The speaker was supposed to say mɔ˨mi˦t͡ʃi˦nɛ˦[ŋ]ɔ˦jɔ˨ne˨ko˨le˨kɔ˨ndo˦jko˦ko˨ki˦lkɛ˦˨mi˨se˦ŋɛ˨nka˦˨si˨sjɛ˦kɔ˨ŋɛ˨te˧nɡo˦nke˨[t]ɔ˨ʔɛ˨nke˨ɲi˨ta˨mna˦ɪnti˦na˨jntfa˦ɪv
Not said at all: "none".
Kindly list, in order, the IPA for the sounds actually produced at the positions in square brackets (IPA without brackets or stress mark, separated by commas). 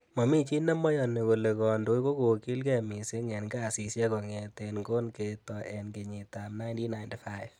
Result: m, t